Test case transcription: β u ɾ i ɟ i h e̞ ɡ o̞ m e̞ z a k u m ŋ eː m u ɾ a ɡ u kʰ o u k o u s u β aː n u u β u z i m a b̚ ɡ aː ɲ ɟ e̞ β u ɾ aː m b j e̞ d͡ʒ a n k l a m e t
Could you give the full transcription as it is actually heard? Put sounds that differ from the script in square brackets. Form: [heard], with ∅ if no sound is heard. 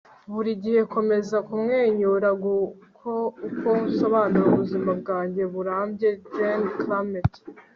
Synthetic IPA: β u ɾ i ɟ i h e̞ [k] o̞ m e̞ z a k u m ŋ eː [ɲ] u ɾ a ɡ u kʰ o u k o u s [o] β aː n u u β u z i m a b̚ ɡ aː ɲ ɟ e̞ β u ɾ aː m b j e̞ d͡ʒ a n k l a m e t